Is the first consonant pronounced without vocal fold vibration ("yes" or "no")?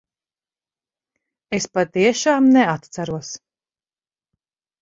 yes